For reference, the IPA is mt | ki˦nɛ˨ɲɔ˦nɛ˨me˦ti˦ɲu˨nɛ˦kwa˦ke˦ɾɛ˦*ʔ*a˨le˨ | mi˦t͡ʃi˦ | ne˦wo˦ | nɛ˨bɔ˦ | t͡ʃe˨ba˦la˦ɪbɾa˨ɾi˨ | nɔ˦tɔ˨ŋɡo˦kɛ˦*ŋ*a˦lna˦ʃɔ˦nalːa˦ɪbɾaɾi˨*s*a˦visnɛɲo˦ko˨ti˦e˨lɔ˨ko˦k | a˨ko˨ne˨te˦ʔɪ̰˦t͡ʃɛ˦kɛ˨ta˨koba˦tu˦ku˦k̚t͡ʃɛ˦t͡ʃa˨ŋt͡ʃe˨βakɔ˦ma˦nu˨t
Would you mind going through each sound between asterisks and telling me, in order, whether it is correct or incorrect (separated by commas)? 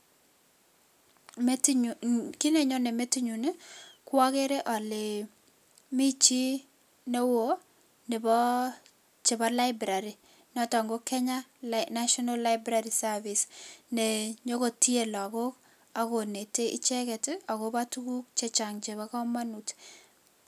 correct, incorrect, correct